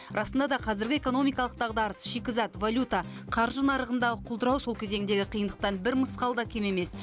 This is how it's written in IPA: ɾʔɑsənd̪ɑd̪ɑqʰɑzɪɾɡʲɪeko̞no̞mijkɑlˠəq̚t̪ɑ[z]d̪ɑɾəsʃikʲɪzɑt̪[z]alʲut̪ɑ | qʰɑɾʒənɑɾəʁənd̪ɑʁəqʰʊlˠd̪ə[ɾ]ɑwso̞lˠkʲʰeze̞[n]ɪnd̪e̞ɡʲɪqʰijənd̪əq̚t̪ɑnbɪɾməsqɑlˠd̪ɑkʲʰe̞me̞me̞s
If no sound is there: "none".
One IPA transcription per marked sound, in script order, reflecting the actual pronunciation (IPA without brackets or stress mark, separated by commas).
ʁ, v, ɾ, ŋ